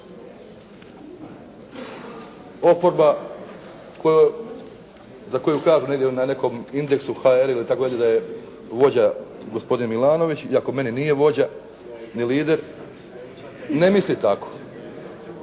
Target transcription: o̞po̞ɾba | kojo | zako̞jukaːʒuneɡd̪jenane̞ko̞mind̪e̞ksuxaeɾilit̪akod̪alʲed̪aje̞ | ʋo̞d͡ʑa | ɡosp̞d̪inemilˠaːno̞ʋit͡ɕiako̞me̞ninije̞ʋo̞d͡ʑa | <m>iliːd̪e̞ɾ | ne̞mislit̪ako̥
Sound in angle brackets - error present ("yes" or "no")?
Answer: yes